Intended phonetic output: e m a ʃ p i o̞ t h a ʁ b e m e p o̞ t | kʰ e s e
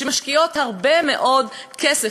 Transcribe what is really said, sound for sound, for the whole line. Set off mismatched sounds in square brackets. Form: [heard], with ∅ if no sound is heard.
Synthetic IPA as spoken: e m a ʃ [k] i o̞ t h a ʁ b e m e [ʔ] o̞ [d] | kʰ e s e